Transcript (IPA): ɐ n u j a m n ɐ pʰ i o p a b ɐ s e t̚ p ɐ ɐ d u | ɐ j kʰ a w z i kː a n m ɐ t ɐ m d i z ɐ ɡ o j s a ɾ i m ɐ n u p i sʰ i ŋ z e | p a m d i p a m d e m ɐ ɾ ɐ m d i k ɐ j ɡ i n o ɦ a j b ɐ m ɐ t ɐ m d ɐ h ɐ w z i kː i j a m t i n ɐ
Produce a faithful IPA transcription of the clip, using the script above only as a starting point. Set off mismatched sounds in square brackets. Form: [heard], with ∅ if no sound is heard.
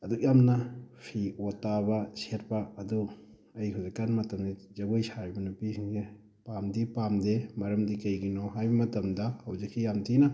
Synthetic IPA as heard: ɐ [d] u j a m n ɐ pʰ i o [t] a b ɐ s e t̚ p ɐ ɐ d u | ɐ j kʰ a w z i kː a n m ɐ t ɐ m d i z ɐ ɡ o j s a ɾ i [b] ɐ n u p i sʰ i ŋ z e | p a m d i p a m d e m ɐ ɾ ɐ m d i k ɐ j ɡ i n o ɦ a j b ɐ m ɐ t ɐ m d ɐ h ɐ w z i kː i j a m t i n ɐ